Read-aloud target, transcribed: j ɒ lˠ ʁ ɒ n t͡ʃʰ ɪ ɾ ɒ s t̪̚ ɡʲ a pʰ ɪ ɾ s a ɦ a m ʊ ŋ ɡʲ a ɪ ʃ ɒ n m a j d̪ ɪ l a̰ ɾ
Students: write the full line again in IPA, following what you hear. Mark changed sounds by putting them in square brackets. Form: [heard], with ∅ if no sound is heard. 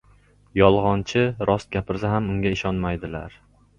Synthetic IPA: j ɒ lˠ ʁ ɒ n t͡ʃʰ ɪ ɾ ɒ s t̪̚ ɡʲ a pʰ ɪ ɾ s a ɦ a m ʊ ŋ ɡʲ a ɪ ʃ ɒ n m a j d̪ ɪ l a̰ ɾ